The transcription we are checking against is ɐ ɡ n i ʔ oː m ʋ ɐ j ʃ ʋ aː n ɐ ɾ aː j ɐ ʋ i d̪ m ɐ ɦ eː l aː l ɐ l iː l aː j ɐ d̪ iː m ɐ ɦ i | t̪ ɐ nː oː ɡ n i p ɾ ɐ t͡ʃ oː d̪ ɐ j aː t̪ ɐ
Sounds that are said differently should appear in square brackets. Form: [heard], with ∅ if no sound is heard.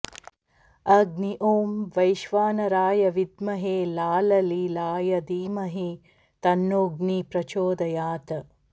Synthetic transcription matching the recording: ɐ ɡ n i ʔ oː m ʋ ɐ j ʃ ʋ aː n ɐ ɾ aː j ɐ ʋ i d̪ m ɐ ɦ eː l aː l ɐ l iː l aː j ɐ d̪ iː m ɐ ɦ i | t̪ ɐ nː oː ɡ n i p ɾ ɐ t͡ʃ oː d̪ ɐ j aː t̪ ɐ

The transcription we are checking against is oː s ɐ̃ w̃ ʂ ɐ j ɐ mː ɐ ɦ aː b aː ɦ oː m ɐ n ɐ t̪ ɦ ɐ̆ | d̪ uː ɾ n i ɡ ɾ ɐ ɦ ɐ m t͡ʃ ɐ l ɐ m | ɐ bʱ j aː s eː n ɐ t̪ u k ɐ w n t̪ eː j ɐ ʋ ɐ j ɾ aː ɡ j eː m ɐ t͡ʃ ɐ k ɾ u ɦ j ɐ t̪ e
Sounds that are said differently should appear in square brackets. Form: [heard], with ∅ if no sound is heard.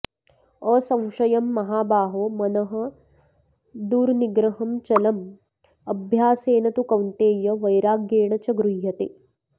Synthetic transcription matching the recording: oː s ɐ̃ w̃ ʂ ɐ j ɐ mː ɐ ɦ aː b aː ɦ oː m ɐ n ɐ [∅] ɦ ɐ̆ | d̪ uː ɾ n i ɡ ɾ ɐ ɦ ɐ m t͡ʃ ɐ l ɐ m | ɐ bʱ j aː s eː n ɐ t̪ u k ɐ w n t̪ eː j ɐ ʋ ɐ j ɾ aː ɡ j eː [ɳ] ɐ t͡ʃ ɐ [ɡ] ɾ u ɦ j ɐ t̪ e

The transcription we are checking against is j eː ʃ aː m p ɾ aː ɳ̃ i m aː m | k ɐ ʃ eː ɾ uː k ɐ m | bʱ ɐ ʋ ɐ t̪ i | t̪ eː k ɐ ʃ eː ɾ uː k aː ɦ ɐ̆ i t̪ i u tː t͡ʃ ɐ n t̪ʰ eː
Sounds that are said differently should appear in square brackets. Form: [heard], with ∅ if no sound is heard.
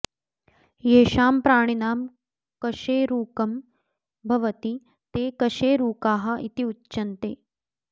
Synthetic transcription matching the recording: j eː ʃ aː m p ɾ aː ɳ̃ i [n] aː m | k ɐ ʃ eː ɾ uː k ɐ m | bʱ ɐ ʋ ɐ t̪ i | t̪ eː k ɐ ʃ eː ɾ uː k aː ɦ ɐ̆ i t̪ i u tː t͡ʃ ɐ n [t̪] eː

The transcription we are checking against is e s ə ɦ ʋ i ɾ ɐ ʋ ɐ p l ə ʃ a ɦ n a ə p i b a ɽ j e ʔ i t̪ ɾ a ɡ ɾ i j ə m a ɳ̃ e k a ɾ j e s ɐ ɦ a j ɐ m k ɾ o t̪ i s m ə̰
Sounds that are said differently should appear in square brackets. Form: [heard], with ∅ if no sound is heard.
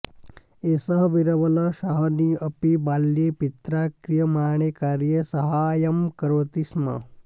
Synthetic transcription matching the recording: e s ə ɦ ʋ i ɾ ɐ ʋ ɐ [∅] l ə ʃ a ɦ n [i] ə p i b a [l] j e [p] i t̪ ɾ a [k] ɾ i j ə m a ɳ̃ e k a ɾ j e s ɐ ɦ a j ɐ m k ɾ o t̪ i s m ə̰

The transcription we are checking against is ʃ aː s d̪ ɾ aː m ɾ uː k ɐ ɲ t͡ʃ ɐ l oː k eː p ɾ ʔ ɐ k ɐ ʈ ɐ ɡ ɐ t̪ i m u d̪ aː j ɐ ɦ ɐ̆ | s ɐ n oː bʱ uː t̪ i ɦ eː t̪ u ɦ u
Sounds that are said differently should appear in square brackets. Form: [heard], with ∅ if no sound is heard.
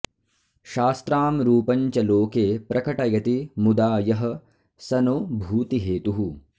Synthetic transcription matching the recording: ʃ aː s [t̪] ɾ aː m ɾ uː [p] ɐ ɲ t͡ʃ ɐ l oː k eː p ɾ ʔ ɐ k ɐ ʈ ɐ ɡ ɐ t̪ i m u d̪ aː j ɐ ɦ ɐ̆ | s ɐ n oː bʱ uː t̪ i ɦ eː t̪ u ɦ u

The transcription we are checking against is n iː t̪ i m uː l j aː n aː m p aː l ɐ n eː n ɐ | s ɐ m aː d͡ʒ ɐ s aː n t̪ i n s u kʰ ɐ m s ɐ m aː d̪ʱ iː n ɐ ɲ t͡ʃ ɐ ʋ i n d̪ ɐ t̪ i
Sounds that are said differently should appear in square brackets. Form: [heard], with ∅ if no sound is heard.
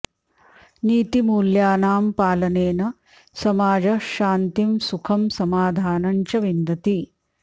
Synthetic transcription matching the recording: n iː t̪ i m uː l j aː n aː m p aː l ɐ n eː n ɐ | s ɐ m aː d͡ʒ ɐ [ʃ] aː n t̪ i [m] s u kʰ ɐ m s ɐ m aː d̪ʱ [aː] n ɐ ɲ t͡ʃ ɐ ʋ i n d̪ ɐ t̪ i

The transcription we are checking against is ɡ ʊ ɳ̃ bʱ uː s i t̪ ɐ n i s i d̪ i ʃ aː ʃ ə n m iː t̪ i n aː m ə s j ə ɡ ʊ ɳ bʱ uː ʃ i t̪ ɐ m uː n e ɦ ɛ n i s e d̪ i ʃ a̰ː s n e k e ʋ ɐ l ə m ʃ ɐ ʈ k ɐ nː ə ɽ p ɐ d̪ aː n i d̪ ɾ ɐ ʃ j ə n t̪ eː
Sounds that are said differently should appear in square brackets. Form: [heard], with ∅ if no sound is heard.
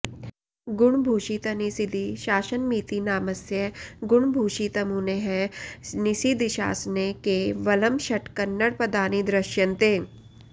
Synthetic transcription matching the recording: ɡ ʊ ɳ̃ bʱ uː [ʃ] i t̪ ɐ n i s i d̪ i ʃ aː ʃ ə n m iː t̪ i n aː m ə s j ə ɡ ʊ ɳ bʱ uː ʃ i t̪ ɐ m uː n e ɦ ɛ n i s [i] d̪ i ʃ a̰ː s n e k e ʋ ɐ l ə m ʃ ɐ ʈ k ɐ nː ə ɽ p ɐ d̪ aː n i d̪ ɾ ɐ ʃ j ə n t̪ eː

